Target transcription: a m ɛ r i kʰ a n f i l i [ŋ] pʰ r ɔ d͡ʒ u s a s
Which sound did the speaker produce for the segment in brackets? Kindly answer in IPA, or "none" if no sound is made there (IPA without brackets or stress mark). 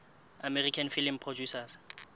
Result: m